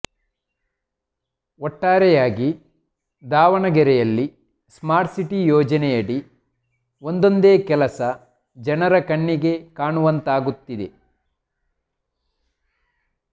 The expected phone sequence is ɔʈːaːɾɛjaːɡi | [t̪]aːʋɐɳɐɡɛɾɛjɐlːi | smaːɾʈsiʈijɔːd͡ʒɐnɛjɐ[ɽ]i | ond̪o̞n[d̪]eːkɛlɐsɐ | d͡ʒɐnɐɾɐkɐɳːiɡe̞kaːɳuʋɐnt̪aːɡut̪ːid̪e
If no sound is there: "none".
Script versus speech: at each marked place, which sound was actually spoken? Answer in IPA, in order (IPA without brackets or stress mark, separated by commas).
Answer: d̪, ɽ, d̪